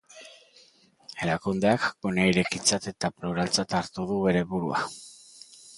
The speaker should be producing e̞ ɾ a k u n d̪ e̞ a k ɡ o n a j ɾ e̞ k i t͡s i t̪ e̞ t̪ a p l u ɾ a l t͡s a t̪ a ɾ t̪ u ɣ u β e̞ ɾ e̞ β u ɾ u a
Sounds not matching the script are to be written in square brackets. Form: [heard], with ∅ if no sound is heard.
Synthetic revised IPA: e̞ ɾ a k u n d̪ e̞ a k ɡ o n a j ɾ e̞ k i t͡s [a] t̪ e̞ t̪ a p l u ɾ a l t͡s a t̪ a ɾ t̪ u [ð] u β e̞ ɾ e̞ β u ɾ u a